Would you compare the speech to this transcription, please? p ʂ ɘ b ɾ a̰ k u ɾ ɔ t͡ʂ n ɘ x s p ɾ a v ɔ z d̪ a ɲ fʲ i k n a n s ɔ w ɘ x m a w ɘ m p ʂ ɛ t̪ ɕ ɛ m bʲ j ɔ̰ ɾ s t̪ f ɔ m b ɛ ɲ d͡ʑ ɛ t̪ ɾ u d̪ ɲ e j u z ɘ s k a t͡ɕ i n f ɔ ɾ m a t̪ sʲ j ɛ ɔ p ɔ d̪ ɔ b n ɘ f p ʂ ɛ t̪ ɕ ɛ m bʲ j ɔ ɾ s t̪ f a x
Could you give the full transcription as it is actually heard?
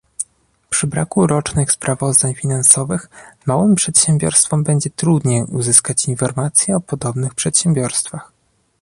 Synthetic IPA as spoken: p ʂ ɘ b ɾ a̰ k u ɾ ɔ t͡ʂ n ɘ x s p ɾ a v ɔ z d̪ a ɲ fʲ i n a n s ɔ v ɘ x m a w ɘ m p ʂ ɛ t̪ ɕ ɛ m bʲ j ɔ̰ ɾ s t̪ f ɔ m b ɛ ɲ d͡ʑ ɛ t̪ ɾ u d̪ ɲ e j u z ɘ s k a t͡ɕ i n f ɔ ɾ m a t̪ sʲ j ɛ ɔ p ɔ d̪ ɔ b n ɘ x p ʂ ɛ t̪ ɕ ɛ m bʲ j ɔ ɾ s t̪ f a x